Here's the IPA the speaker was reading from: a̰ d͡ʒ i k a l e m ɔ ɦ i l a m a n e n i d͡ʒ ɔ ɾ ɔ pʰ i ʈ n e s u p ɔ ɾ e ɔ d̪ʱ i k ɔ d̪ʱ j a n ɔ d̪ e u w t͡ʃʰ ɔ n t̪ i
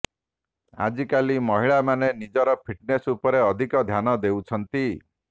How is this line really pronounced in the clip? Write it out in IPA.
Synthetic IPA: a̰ d͡ʒ i k a l i m ɔ ɦ i ɭ a m a n e n i d͡ʒ ɔ ɾ ɔ pʰ i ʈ n e s u p ɔ ɾ e ɔ d̪ʱ i k ɔ d̪ʱ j a n ɔ d̪ e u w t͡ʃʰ ɔ n t̪ i